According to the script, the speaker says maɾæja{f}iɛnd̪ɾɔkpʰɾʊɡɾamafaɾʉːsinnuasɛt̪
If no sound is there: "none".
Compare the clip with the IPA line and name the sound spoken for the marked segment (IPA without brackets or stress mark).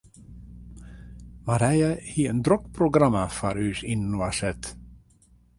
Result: h